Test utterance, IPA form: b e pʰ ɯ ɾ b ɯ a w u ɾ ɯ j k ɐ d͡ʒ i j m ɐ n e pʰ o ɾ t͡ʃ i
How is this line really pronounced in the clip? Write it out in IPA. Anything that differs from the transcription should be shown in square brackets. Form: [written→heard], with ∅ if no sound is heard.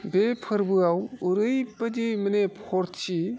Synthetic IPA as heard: b e pʰ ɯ ɾ b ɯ a w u ɾ ɯ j [k→p] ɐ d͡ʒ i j m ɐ n e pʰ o ɾ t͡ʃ i